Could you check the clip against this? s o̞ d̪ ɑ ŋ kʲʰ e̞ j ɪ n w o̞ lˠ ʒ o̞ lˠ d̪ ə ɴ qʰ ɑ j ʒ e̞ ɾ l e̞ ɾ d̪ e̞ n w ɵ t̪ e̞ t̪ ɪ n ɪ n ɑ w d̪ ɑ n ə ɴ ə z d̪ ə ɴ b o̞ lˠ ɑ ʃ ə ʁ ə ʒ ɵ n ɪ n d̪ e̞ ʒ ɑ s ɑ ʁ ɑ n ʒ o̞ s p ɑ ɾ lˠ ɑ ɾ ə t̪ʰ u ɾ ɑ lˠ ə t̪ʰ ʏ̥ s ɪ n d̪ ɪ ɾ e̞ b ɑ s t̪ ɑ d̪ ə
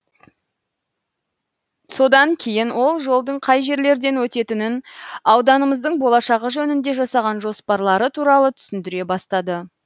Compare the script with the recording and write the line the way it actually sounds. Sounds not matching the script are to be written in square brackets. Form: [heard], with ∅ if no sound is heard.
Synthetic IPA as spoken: s o̞ d̪ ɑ ŋ kʲʰ e̞ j ɪ n w o̞ lˠ ʒ o̞ lˠ d̪ ə ɴ qʰ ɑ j ʒ e̞ ɾ l e̞ ɾ d̪ e̞ n w ɵ t̪ e̞ t̪ ɪ n ɪ n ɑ w d̪ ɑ n ə [m] ə z d̪ ə ɴ b o̞ lˠ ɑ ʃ [ɑ] ʁ ə ʒ ɵ n ɪ n d̪ e̞ ʒ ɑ s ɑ ʁ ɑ n ʒ o̞ s p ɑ ɾ lˠ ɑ ɾ ə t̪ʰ u ɾ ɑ lˠ ə t̪ʰ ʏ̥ s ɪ n d̪ ɪ ɾ e̞ b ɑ s t̪ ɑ d̪ ə